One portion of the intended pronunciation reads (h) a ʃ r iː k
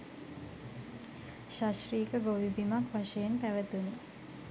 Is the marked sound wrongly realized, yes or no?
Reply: yes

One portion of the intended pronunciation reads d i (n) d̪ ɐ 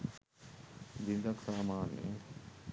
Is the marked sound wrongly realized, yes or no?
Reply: no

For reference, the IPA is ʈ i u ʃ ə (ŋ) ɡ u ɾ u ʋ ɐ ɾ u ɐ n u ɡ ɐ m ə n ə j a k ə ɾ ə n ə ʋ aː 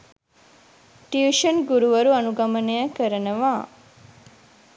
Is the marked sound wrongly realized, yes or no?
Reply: yes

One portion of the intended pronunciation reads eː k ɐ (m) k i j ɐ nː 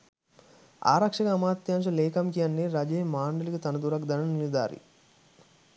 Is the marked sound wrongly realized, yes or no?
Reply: no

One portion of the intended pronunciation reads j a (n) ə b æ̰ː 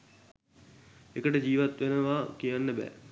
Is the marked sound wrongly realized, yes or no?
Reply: yes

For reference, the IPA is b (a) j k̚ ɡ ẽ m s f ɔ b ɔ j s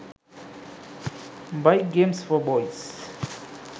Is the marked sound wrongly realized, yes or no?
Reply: no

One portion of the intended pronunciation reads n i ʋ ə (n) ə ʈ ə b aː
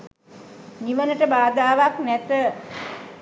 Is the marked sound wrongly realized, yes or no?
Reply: no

